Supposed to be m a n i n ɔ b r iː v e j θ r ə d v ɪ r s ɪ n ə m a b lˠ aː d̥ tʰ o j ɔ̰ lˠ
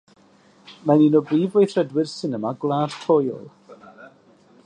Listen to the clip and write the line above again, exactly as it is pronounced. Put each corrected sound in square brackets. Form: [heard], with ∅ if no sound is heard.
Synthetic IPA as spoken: m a n i n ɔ b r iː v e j θ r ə d [w] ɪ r s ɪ n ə m a [ɡ] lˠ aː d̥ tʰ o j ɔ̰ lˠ